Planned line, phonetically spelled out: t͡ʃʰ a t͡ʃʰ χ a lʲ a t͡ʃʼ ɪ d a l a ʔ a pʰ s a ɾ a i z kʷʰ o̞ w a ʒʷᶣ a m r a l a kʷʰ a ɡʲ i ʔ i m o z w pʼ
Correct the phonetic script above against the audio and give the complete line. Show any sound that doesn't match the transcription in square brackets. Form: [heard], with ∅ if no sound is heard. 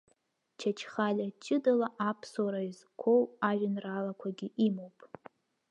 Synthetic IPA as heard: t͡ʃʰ a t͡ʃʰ χ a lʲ a t͡ʃʼ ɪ d a l a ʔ a pʰ s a ɾ a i z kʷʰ o̞ w a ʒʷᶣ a [n] r a l a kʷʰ a ɡʲ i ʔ i m o [∅] w pʼ